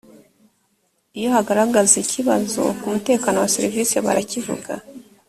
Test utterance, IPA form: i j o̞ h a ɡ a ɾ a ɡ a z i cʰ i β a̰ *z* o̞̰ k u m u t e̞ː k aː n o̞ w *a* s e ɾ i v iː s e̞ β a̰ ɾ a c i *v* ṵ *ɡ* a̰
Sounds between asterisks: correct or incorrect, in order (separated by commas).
correct, correct, correct, correct